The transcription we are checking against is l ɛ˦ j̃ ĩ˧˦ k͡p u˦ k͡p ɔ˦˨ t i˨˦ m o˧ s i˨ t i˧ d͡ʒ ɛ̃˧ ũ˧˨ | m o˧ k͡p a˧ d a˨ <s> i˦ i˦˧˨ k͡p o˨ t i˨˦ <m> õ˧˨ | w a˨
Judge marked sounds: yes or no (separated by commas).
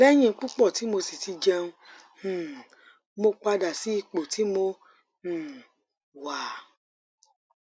yes, yes